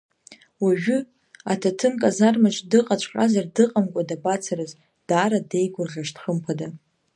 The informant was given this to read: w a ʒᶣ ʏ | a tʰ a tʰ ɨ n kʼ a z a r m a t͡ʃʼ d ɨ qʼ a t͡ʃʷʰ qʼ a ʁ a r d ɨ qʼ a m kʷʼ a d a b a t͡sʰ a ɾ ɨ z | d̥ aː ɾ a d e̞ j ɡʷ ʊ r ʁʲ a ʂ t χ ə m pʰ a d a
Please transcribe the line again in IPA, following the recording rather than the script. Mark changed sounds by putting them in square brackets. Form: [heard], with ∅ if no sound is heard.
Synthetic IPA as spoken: w a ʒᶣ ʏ | a tʰ a tʰ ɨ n kʼ a z a r m a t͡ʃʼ d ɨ qʼ a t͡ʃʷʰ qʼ a [z] a r d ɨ qʼ a m kʷʼ a d a b a t͡sʰ a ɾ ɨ z | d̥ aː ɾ a d e̞ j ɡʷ ʊ r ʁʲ a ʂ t χ ə m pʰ a d a